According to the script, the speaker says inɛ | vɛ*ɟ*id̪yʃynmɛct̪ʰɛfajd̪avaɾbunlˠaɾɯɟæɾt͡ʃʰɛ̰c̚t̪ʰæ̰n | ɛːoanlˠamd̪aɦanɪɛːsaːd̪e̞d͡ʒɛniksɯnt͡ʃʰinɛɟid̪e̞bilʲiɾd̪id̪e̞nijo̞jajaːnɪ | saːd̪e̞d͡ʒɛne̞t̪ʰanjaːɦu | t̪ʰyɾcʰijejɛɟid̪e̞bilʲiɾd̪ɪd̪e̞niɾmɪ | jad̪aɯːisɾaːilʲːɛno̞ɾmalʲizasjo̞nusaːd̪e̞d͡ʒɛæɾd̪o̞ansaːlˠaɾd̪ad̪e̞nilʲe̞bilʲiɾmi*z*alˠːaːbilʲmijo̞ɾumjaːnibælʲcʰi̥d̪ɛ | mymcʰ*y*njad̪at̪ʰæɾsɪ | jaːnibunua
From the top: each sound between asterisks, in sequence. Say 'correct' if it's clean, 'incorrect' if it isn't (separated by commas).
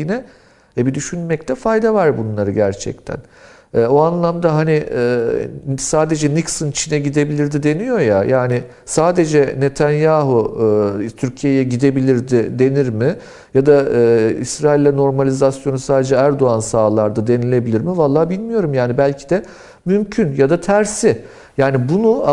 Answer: incorrect, incorrect, correct